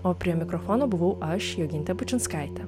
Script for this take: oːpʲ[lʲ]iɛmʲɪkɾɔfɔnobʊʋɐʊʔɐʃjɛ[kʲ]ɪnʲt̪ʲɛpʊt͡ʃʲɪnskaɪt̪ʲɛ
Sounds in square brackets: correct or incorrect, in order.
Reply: incorrect, incorrect

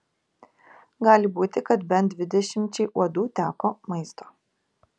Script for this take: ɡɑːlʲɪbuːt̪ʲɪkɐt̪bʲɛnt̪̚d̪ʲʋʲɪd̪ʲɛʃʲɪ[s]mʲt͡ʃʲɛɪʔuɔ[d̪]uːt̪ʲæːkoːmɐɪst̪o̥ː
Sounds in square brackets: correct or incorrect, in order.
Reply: incorrect, correct

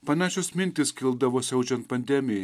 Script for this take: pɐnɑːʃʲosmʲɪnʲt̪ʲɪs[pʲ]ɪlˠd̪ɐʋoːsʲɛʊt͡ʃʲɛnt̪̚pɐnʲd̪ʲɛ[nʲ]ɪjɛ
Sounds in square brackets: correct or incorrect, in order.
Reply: incorrect, incorrect

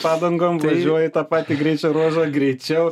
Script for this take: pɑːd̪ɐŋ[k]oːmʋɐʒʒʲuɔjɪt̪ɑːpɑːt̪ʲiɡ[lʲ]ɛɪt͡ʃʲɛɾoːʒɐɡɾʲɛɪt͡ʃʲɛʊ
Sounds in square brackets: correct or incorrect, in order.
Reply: incorrect, incorrect

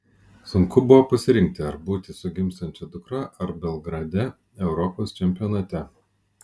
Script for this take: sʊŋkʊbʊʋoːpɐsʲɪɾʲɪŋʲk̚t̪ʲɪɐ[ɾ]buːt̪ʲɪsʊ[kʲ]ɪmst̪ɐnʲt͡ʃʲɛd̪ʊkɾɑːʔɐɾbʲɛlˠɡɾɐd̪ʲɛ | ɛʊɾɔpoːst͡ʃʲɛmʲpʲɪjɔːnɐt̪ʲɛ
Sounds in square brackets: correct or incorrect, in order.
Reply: correct, incorrect

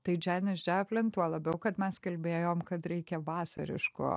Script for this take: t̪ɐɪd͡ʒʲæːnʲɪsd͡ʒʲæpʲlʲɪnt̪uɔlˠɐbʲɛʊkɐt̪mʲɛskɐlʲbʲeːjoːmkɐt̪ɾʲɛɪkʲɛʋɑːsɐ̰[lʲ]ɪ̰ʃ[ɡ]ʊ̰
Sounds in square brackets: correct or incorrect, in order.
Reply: incorrect, incorrect

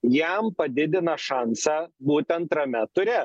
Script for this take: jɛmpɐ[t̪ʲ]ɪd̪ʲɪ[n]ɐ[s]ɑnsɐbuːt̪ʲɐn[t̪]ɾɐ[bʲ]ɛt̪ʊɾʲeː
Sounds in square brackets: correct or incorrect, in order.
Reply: incorrect, correct, incorrect, correct, incorrect

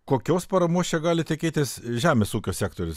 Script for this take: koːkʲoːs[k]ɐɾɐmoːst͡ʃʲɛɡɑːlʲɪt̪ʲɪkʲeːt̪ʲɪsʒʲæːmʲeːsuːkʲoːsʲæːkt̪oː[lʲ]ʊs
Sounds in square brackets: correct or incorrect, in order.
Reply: incorrect, incorrect

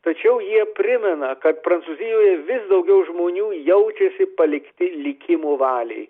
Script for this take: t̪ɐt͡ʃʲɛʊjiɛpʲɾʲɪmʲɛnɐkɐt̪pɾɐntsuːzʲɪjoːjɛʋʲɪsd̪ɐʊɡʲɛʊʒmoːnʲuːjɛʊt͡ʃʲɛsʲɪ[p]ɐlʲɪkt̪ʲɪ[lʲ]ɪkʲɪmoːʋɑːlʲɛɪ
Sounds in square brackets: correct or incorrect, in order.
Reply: correct, correct

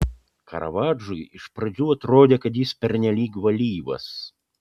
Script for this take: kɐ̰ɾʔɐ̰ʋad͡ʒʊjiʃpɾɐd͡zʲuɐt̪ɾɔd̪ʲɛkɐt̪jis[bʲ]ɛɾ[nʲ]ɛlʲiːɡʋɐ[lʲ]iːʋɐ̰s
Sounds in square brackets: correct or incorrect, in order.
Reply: incorrect, correct, correct

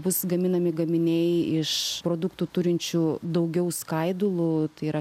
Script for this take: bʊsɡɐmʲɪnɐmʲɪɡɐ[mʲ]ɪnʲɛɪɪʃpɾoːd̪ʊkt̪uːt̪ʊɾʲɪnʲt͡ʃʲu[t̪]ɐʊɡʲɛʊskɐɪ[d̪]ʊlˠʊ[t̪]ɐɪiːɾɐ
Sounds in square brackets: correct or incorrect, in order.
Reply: correct, incorrect, correct, correct

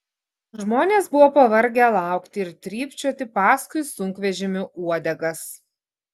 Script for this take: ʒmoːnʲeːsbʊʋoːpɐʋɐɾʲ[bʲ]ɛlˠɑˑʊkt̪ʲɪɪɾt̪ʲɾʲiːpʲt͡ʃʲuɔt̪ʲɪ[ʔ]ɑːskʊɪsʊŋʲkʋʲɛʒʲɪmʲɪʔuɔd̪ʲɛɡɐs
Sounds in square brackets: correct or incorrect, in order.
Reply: incorrect, incorrect

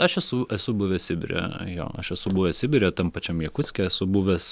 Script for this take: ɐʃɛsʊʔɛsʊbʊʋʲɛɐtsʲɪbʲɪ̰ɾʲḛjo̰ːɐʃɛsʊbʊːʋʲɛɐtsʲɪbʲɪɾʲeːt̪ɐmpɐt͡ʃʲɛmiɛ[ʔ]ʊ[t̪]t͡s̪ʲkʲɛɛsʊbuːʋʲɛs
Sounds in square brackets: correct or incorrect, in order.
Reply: incorrect, incorrect

